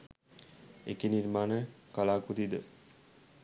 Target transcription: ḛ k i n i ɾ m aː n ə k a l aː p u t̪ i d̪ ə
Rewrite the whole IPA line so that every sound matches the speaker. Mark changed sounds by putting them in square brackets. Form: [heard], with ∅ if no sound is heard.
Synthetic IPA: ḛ k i n i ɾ m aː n ə k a l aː [k] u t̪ i d̪ ə